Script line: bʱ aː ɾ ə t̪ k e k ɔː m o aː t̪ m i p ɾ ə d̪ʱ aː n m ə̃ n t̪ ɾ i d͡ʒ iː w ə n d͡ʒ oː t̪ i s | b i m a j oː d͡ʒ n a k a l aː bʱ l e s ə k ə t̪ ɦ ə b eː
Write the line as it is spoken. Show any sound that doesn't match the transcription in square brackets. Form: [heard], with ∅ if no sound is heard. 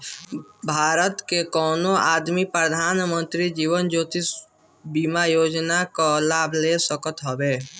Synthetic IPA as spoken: bʱ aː ɾ ə t̪ k e k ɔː [n] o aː [d̪] m i p ɾ ə d̪ʱ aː n m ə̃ n t̪ ɾ i d͡ʒ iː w ə n d͡ʒ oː t̪ i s | b i m a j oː d͡ʒ n a k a l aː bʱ l e s ə k ə t̪ ɦ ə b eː